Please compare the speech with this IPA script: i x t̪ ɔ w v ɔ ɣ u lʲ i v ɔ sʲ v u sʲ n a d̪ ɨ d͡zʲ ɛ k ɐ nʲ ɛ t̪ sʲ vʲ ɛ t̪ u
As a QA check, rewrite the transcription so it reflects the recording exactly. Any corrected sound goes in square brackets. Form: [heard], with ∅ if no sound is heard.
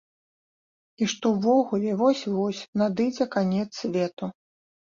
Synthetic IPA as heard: i [ʂ] t̪ ɔ w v ɔ ɣ u lʲ [ɛ] v ɔ sʲ v [ɔ] sʲ n a d̪ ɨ d͡zʲ ɛ k [a] nʲ ɛ t̪ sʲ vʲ ɛ t̪ u